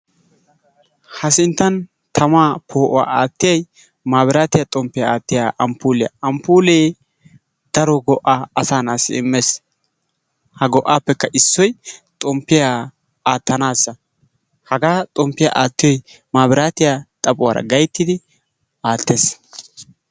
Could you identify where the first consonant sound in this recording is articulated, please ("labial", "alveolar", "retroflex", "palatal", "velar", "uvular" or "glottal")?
glottal